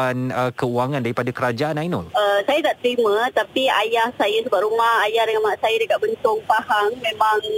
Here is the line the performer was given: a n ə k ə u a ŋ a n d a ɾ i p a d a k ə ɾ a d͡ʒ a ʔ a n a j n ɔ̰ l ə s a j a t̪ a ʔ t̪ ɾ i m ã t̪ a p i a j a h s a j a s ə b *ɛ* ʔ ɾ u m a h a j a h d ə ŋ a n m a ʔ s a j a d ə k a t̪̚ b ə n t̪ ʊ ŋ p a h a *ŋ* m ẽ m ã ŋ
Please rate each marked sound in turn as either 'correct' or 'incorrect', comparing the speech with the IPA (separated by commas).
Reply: incorrect, correct